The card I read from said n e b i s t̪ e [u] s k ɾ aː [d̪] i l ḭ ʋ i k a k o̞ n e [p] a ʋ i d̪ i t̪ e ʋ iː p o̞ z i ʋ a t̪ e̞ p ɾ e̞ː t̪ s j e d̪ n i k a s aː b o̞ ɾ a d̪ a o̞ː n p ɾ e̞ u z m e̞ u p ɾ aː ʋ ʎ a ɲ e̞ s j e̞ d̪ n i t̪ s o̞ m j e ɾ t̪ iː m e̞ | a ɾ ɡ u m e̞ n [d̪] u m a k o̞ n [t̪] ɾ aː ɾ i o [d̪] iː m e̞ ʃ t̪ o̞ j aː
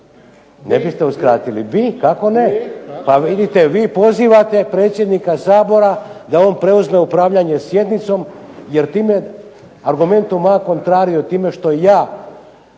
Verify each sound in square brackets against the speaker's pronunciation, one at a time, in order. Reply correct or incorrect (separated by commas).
correct, incorrect, correct, incorrect, correct, incorrect